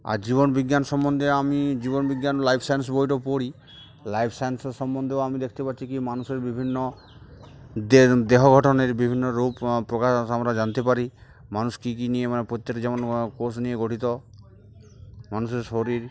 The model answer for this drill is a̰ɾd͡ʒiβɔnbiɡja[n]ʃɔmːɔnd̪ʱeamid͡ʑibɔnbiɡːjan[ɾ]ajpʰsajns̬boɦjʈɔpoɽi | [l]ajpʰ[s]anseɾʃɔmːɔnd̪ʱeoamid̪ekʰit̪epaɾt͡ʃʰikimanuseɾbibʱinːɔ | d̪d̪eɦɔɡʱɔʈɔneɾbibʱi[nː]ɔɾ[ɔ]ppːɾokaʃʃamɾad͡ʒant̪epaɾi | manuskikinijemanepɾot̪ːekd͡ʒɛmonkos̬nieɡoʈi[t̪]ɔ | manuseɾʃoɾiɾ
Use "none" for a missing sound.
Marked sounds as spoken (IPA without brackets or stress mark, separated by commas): n, l, l, s, nː, u, t̪